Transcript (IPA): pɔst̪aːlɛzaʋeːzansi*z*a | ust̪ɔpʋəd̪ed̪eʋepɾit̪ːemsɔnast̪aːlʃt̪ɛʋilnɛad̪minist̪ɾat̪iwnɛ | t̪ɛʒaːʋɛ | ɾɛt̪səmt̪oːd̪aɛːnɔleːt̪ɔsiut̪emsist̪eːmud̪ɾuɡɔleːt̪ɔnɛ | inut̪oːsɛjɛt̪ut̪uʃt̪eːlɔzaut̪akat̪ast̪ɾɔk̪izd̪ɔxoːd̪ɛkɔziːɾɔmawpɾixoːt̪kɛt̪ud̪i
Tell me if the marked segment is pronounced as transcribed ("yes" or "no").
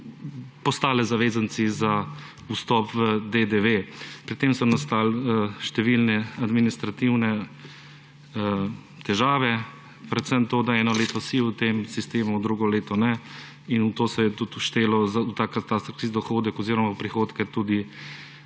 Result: yes